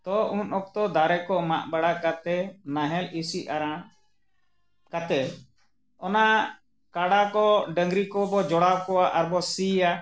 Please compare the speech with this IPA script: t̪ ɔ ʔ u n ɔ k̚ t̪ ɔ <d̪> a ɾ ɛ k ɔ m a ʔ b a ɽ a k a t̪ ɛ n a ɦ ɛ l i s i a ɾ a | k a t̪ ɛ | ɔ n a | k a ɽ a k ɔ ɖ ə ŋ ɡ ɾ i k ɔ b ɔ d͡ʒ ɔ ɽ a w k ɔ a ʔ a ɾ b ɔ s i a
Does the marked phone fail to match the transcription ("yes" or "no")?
no